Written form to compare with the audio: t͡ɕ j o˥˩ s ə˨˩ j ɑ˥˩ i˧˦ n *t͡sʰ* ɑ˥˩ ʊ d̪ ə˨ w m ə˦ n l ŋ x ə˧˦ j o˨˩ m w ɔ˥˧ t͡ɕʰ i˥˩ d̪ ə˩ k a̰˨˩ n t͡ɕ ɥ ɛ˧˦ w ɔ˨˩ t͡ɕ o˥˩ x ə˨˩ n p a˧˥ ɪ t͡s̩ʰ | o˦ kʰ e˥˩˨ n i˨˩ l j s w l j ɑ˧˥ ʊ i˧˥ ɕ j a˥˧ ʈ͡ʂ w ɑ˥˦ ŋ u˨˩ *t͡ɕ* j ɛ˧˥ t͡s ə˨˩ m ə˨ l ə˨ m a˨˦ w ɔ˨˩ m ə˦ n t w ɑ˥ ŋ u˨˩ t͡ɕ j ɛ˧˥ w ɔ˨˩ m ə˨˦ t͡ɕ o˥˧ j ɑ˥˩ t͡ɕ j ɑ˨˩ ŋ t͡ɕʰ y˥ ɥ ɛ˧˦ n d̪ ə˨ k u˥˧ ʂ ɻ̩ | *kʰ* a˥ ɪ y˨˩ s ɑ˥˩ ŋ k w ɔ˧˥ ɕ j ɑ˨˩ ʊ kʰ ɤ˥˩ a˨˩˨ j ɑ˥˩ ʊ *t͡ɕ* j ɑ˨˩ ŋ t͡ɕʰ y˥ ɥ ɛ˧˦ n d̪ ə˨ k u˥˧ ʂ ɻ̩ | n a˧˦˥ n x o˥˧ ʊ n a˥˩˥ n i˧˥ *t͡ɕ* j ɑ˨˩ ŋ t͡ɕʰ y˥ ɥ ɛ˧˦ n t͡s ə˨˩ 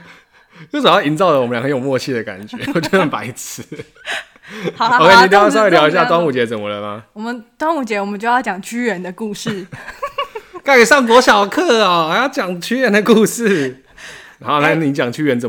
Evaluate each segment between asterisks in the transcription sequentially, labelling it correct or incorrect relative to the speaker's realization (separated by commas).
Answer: incorrect, correct, incorrect, correct, correct